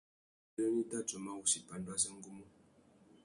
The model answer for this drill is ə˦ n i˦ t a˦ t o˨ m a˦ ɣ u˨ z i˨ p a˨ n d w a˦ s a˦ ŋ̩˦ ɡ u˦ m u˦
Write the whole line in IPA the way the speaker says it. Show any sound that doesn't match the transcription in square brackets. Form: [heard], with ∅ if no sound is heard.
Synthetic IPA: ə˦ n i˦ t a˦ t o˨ m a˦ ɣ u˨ [s] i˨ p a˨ n d w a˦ s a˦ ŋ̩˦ ɡ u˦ m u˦